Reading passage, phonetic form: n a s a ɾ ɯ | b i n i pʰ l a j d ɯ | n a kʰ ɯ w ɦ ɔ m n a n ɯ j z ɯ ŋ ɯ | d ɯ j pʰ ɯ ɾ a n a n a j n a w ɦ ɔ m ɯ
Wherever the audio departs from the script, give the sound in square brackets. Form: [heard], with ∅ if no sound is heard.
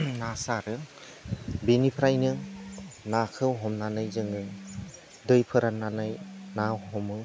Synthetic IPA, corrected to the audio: n a s a ɾ ɯ | b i n i pʰ [ɾ] a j [n] ɯ | n a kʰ ɯ w ɦ ɔ m n a n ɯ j z ɯ ŋ ɯ | d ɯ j pʰ ɯ ɾ a n a n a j n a w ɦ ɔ m ɯ